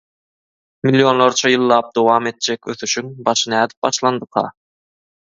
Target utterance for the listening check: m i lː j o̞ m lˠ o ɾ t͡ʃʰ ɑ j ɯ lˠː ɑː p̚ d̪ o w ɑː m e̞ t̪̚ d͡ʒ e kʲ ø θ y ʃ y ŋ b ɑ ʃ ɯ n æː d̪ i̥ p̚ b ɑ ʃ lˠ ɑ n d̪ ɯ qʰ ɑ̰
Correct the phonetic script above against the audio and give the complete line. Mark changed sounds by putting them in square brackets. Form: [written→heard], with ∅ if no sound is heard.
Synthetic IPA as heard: m i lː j o̞ [m→n] lˠ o ɾ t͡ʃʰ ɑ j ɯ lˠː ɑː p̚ d̪ o w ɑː m e̞ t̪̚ d͡ʒ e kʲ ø θ y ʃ y ŋ b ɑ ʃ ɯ n æː d̪ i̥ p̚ b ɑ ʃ lˠ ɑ n d̪ ɯ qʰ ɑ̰